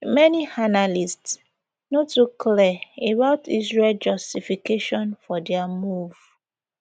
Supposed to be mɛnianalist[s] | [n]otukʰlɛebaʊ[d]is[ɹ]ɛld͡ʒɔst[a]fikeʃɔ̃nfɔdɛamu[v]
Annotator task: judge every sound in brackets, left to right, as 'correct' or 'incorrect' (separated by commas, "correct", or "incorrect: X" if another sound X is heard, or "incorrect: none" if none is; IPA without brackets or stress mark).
correct, correct, incorrect: t, correct, incorrect: i, correct